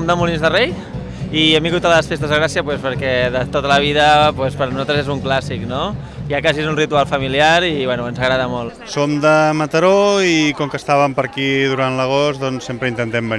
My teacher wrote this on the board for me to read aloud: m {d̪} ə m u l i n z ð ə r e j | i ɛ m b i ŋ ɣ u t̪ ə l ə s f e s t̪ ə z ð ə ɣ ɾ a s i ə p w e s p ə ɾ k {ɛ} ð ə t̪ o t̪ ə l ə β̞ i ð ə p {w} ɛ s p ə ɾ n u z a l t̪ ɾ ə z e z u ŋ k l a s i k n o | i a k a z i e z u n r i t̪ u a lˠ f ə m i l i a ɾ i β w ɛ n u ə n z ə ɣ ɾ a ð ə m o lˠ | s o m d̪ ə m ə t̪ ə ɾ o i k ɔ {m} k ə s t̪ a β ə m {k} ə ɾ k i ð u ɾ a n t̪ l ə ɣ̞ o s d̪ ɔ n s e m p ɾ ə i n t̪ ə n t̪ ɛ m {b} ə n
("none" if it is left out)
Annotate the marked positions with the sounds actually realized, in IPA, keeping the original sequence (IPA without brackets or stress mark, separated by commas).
d̪, ɛ, w, ŋ, p, b